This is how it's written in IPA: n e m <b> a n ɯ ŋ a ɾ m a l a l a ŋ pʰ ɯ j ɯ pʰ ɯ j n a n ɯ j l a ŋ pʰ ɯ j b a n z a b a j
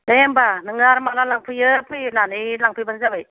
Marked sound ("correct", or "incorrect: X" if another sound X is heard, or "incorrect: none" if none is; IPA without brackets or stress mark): correct